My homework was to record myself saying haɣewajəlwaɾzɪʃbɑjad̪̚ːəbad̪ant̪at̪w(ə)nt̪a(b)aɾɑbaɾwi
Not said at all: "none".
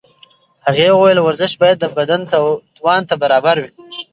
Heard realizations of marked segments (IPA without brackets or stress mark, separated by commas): ɑ, b